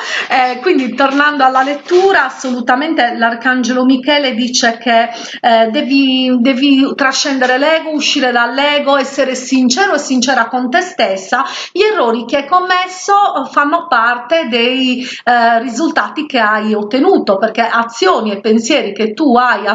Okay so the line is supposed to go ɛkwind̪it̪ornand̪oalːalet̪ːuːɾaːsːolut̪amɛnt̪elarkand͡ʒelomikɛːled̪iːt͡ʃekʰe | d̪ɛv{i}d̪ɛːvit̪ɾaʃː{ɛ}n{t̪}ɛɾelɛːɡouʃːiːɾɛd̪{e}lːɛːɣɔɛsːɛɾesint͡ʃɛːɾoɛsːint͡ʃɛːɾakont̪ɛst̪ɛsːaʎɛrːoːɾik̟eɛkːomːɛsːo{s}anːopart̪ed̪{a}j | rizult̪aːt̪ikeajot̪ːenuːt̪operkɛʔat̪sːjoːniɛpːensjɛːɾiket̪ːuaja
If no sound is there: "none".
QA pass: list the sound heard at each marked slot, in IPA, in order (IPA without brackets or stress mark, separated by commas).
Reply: i, ɛ, d̪, a, f, e